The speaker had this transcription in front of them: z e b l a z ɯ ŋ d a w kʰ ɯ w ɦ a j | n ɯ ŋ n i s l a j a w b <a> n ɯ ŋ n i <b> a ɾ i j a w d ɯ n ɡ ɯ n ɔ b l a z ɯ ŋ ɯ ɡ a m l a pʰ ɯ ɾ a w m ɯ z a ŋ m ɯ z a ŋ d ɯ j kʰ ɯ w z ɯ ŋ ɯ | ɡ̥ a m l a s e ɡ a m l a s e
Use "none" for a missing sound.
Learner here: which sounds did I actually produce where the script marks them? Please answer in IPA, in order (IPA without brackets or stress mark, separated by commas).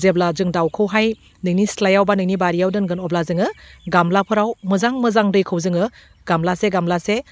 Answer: a, b